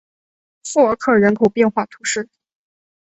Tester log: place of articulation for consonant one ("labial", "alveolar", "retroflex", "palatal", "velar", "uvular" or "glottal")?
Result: labial